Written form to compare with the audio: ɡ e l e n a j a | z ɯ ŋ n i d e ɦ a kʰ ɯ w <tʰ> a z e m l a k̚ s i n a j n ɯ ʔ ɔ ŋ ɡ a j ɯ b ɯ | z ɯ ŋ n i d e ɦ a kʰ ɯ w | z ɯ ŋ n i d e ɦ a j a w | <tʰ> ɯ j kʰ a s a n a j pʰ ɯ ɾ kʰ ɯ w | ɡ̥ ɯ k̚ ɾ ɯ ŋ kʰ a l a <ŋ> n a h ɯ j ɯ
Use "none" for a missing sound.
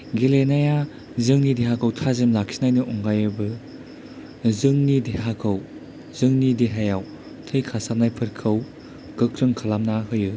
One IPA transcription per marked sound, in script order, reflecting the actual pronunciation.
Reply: tʰ, tʰ, m

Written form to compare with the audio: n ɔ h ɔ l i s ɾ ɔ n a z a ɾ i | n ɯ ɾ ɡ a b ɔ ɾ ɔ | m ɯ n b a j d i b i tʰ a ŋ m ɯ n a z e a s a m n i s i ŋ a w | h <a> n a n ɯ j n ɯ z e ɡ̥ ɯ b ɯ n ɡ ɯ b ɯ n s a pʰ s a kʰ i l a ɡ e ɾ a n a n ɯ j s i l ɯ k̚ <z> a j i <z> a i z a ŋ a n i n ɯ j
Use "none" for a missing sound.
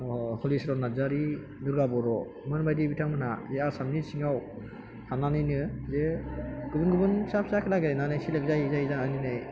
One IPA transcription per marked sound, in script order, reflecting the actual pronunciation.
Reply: a, z, z

